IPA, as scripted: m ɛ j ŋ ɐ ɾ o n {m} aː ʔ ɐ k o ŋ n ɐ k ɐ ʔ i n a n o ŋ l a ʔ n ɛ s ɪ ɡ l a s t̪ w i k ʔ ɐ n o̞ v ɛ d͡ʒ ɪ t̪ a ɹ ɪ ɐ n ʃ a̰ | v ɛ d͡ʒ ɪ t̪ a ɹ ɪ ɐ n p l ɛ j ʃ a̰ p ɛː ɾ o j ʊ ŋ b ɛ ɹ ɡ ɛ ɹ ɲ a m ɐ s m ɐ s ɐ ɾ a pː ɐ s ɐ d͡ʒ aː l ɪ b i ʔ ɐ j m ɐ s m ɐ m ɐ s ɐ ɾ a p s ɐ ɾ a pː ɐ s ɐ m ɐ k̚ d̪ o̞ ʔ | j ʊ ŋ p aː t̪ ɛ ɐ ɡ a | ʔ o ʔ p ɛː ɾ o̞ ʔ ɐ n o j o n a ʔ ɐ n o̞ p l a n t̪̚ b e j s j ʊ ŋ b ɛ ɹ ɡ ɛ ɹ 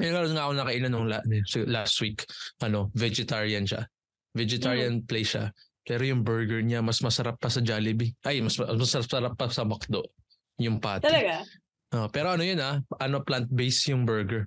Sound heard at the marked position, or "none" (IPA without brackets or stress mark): ŋ